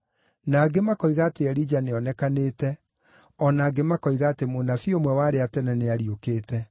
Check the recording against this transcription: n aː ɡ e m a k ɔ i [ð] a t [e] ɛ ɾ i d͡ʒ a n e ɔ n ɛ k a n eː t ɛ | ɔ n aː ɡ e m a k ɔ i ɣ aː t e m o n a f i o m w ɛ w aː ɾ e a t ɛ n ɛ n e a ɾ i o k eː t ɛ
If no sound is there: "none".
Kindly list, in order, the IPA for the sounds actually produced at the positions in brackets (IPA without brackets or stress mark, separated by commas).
ɣ, e